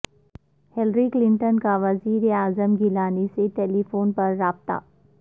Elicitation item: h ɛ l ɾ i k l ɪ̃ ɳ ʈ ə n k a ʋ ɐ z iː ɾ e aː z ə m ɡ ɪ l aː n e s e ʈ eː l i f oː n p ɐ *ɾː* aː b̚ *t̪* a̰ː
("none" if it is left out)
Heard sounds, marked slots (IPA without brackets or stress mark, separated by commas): ɾː, t̪